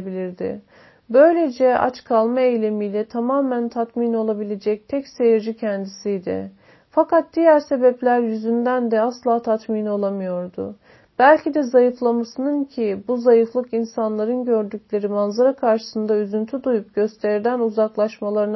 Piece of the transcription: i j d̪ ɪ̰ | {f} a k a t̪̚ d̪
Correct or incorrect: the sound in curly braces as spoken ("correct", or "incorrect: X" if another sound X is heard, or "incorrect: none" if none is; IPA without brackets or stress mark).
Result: correct